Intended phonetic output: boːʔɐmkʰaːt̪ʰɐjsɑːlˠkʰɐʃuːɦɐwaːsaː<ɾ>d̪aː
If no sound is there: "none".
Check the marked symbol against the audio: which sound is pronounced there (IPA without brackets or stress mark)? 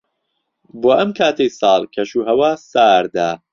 ɾ